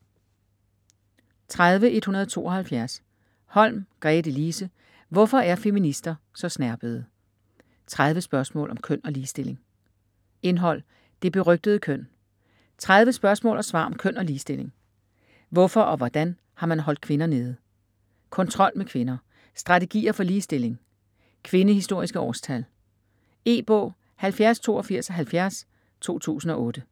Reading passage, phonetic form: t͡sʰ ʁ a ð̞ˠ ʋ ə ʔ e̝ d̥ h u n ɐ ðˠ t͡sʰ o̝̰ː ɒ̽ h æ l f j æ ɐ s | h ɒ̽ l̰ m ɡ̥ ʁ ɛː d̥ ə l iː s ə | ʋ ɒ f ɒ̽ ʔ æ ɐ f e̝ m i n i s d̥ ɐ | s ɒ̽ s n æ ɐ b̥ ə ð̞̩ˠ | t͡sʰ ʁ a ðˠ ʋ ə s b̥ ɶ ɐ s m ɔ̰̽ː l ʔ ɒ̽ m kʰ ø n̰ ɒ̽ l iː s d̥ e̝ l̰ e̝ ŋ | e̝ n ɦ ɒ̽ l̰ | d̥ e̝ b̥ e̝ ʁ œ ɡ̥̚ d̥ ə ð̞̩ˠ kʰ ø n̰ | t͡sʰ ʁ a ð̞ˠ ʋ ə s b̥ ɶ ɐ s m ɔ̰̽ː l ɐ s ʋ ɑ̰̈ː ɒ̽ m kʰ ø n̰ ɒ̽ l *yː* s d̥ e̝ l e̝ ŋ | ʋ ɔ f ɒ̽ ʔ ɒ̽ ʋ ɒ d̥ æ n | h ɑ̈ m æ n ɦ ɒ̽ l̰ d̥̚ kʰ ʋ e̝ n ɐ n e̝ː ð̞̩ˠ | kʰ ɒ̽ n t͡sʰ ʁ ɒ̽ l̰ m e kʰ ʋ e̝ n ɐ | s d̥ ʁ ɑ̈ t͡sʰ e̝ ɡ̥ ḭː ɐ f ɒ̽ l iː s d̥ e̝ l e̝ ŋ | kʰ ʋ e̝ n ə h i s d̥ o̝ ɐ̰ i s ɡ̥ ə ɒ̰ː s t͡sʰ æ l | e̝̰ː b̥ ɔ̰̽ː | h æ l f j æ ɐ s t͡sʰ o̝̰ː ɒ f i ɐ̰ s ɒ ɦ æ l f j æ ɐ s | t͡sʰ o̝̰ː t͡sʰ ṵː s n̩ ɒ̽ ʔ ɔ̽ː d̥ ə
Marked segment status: incorrect: iː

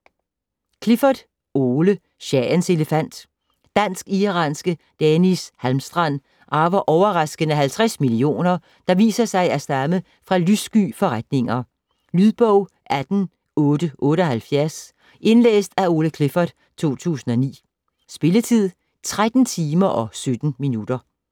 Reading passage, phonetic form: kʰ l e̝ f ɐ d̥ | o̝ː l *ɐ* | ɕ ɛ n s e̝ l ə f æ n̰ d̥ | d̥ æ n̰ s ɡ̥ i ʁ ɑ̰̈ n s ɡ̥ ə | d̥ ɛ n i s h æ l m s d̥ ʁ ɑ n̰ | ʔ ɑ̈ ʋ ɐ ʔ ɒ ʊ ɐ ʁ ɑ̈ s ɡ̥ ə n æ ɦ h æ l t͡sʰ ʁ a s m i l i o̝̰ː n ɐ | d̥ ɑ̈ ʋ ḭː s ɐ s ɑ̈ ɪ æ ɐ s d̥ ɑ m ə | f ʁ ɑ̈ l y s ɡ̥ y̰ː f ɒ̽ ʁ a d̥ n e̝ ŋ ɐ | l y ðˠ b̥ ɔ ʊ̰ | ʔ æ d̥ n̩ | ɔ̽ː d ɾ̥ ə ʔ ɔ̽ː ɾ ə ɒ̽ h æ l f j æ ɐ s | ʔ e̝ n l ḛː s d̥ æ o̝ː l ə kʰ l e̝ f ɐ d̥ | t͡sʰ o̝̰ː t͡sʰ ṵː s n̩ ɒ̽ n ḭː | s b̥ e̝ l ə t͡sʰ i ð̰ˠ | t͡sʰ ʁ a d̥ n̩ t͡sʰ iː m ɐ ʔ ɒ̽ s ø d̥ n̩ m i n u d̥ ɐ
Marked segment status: incorrect: ə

